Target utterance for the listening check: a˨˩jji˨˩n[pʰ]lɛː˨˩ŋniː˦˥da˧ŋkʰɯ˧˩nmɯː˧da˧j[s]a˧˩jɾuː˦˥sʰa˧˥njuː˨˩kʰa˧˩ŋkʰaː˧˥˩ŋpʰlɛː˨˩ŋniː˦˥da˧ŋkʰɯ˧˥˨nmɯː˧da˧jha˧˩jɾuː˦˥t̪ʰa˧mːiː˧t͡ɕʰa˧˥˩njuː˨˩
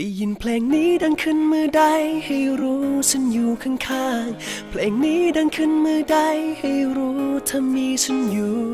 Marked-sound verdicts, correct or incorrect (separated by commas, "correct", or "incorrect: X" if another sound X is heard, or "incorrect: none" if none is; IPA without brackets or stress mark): correct, incorrect: h